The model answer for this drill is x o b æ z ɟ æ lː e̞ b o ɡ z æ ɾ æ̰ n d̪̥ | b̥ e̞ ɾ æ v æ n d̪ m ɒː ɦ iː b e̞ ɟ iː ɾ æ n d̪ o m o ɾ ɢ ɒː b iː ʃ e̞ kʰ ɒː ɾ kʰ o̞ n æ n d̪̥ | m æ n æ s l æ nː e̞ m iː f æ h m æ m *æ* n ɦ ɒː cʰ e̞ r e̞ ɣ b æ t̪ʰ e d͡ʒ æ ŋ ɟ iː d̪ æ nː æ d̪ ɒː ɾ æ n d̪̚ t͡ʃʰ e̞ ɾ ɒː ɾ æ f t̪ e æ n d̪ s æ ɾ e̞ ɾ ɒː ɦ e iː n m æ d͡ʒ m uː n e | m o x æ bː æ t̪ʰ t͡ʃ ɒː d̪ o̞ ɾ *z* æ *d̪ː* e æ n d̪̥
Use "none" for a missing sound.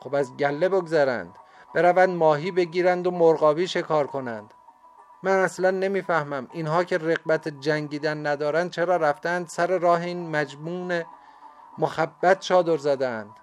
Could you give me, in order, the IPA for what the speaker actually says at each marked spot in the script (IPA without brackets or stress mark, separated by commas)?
i, z, d̪